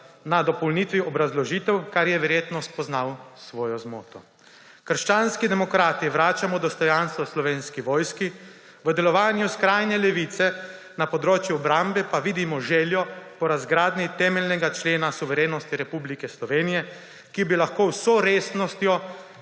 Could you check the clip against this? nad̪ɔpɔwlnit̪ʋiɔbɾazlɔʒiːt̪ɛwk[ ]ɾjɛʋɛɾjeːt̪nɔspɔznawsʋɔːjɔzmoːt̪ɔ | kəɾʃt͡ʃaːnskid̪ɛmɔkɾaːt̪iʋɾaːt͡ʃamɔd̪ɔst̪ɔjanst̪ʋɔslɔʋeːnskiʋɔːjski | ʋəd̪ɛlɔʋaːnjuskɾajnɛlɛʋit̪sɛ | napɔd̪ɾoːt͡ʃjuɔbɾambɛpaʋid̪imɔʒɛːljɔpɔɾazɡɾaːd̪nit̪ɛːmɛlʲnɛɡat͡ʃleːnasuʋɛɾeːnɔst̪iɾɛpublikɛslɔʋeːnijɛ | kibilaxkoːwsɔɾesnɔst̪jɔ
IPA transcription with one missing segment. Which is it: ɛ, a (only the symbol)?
a